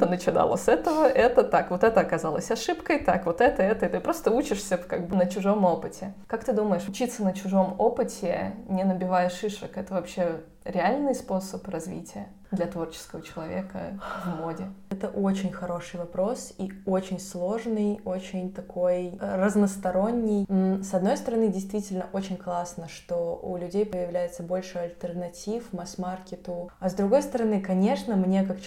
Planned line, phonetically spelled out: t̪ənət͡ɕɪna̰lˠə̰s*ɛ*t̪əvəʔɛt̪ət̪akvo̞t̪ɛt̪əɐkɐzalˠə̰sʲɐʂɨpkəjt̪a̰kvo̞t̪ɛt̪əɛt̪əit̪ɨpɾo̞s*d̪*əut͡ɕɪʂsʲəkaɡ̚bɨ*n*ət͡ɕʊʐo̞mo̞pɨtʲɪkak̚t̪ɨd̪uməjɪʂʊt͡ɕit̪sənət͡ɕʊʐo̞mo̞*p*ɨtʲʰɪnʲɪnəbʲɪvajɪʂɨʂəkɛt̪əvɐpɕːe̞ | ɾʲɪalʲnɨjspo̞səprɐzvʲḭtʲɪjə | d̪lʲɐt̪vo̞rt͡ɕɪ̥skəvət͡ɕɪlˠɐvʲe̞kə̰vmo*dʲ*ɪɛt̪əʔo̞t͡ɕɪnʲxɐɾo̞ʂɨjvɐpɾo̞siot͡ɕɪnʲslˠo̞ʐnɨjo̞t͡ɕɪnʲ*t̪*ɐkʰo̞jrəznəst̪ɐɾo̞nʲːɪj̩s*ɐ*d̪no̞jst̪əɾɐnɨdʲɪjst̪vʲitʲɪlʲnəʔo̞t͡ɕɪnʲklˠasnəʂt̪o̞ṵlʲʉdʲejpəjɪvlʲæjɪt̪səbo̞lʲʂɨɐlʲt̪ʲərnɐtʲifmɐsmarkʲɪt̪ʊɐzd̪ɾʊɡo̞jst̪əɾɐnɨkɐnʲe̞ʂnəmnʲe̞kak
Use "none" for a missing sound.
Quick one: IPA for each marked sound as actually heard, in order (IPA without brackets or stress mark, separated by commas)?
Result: ɛ, t̪, n, p, dʲ, t̪, ɐ